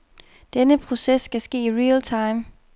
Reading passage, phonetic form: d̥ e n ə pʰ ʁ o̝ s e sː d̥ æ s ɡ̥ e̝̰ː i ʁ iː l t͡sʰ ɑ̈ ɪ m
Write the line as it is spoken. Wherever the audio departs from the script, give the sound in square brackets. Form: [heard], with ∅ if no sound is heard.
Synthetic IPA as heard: d̥ e n ə pʰ ʁ o̝ s e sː [ɡ̥] æ s ɡ̥ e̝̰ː i ʁ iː l t͡sʰ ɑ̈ ɪ m